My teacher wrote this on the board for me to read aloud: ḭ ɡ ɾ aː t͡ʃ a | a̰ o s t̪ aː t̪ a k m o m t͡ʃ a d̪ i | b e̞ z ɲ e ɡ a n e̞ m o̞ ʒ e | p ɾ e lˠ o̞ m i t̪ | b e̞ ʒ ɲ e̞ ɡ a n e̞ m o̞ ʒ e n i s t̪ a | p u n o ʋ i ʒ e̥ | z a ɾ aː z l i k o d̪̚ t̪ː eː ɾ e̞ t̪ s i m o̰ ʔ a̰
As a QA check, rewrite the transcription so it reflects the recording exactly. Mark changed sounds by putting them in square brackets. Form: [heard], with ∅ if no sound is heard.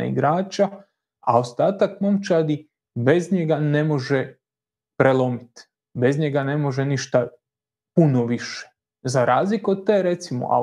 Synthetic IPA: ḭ ɡ ɾ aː t͡ʃ a | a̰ o s t̪ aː t̪ a k m o m t͡ʃ a d̪ i | b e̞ z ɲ e ɡ a n e̞ m o̞ ʒ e | p ɾ e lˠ o̞ m i t̪ | b e̞ [z] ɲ e̞ ɡ a n e̞ m o̞ ʒ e n i [ʃ] t̪ a | p u n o ʋ i [ʃ] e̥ | z a ɾ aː z l i k o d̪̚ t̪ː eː ɾ e̞ t̪ s i m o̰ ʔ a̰